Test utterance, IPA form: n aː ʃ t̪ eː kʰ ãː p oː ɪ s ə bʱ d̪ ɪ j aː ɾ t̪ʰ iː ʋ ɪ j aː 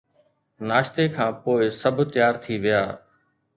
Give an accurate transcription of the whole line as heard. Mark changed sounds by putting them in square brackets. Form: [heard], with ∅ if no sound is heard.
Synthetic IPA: n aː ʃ t̪ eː kʰ ãː p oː ɪ s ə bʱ [t̪] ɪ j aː ɾ t̪ʰ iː ʋ ɪ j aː